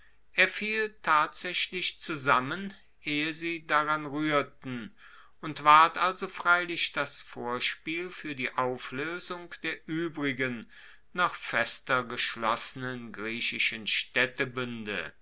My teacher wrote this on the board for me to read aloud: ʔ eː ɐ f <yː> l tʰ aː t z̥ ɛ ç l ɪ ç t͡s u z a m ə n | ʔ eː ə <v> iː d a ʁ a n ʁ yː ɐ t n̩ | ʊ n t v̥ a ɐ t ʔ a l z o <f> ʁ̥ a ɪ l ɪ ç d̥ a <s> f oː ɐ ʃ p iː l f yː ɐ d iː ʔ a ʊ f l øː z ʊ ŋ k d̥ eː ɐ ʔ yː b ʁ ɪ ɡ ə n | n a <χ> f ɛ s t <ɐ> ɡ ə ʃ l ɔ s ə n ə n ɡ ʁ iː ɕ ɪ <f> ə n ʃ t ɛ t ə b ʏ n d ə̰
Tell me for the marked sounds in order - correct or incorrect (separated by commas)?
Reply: incorrect, incorrect, correct, correct, correct, correct, incorrect